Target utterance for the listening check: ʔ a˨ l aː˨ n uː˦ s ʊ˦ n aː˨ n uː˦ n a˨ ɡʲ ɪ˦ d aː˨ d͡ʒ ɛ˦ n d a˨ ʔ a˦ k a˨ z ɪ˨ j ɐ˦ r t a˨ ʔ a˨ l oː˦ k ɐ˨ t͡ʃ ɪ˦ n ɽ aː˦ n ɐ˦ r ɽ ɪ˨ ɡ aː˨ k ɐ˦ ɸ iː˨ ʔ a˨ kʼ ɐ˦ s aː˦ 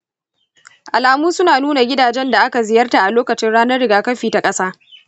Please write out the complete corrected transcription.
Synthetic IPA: ʔ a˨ l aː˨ m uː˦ s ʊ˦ n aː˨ n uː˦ n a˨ ɡʲ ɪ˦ d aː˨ d͡ʒ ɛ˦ n d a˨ ʔ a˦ k a˨ z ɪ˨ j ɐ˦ r t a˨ ʔ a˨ l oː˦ k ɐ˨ t͡ʃ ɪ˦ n ɽ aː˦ n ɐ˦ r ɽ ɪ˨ ɡ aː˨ k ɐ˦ ɸ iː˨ t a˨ kʼ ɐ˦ s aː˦

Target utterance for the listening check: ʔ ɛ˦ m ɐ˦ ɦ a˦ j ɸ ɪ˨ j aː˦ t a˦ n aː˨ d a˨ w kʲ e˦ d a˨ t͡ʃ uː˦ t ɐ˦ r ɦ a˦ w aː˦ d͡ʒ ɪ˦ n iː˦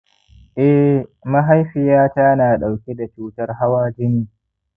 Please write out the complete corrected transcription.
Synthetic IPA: ʔ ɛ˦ m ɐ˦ ɦ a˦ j ɸ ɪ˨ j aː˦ t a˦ n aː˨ ɗ a˨ w kʲ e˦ d a˨ t͡ʃ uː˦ t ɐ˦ r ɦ a˦ w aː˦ d͡ʒ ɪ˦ n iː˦

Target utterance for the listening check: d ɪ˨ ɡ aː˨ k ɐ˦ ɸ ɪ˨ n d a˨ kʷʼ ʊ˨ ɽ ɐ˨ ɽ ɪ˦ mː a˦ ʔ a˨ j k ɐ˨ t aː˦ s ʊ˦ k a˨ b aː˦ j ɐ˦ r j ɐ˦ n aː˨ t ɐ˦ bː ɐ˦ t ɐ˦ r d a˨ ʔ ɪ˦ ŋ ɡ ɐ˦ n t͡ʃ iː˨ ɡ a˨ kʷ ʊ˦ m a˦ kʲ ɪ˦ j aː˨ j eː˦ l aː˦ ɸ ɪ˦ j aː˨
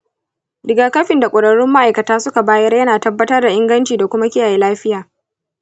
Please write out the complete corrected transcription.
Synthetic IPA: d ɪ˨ ɡ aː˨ k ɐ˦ ɸ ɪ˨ n d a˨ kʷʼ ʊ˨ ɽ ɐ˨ ɽ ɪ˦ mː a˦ ʔ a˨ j k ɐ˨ t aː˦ s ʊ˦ k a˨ b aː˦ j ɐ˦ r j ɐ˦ n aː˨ t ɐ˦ bː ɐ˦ t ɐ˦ r d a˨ ʔ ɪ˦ ŋ ɡ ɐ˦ n t͡ʃ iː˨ d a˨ kʷ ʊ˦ m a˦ kʲ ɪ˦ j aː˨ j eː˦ l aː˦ ɸ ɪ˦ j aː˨

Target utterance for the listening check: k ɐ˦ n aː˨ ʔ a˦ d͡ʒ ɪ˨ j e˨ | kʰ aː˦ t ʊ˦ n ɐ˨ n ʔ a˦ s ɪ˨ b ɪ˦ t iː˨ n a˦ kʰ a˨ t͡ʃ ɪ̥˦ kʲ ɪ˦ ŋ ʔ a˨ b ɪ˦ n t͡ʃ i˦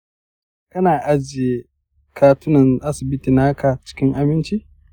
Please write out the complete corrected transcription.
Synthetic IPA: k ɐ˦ n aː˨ ʔ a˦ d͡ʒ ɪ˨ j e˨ | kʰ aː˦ t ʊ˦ n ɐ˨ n ʔ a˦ s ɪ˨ b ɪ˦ t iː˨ n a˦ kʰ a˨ t͡ʃ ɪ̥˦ kʲ ɪ˦ ŋ ʔ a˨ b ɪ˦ n t͡ʃ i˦

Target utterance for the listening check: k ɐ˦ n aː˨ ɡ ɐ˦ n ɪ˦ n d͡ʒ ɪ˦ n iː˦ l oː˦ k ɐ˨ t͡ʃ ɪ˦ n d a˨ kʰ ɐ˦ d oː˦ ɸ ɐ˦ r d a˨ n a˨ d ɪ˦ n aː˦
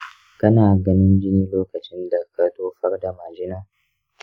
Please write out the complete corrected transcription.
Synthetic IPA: k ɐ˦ n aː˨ ɡ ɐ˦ n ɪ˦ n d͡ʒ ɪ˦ n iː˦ l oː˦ k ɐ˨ t͡ʃ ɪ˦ n d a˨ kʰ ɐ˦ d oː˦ ɸ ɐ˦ r d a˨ m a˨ d͡ʒ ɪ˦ n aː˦

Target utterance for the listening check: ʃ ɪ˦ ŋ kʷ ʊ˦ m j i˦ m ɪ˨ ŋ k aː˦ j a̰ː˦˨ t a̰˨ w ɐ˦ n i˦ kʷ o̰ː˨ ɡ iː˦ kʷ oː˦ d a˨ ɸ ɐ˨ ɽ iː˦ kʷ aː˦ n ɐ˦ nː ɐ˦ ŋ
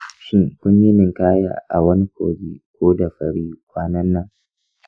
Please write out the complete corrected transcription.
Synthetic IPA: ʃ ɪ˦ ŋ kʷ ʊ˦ ɲ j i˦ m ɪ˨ ŋ k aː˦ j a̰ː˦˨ ʔ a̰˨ w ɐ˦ n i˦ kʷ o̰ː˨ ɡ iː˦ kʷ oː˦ d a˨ ɸ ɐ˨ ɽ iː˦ kʷ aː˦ n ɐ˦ nː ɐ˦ ŋ

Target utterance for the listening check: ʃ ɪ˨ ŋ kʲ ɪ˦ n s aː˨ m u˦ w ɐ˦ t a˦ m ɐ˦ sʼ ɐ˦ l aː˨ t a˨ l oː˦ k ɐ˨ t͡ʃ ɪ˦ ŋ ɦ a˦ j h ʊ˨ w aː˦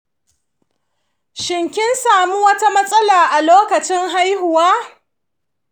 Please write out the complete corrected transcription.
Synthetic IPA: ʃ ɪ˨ ŋ kʲ ɪ˦ n s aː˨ m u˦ w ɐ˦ t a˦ m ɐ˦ sʼ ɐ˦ l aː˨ ʔ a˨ l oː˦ k ɐ˨ t͡ʃ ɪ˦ ŋ ɦ a˦ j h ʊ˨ w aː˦

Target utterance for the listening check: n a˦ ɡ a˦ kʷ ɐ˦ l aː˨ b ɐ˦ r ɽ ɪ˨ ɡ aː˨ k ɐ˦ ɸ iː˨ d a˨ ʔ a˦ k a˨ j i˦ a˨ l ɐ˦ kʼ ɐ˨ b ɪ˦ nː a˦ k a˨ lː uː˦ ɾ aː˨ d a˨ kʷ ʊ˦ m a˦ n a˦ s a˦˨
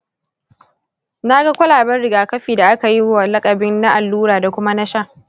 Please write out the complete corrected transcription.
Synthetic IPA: n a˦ ɡ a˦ kʷ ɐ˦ l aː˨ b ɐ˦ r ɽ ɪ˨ ɡ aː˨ k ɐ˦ ɸ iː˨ d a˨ ʔ a˦ k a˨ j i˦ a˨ l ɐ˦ kʼ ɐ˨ b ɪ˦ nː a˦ ʔ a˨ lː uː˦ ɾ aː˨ d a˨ kʷ ʊ˦ m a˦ n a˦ ʃ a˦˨

